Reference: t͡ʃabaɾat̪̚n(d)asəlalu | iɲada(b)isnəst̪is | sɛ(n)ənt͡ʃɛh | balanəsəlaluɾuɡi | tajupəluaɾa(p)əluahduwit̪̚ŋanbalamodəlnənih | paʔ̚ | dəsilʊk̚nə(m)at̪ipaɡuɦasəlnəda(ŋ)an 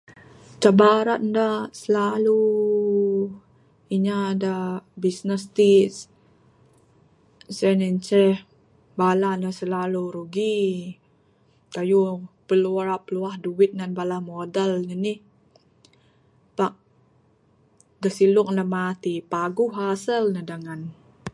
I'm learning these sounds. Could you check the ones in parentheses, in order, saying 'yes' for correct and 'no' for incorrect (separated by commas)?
yes, yes, yes, yes, yes, yes